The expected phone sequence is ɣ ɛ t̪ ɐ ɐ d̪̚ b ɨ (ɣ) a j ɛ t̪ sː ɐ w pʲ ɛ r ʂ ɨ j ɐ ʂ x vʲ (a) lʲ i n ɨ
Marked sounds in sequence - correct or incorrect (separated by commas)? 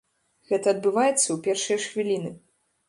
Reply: incorrect, incorrect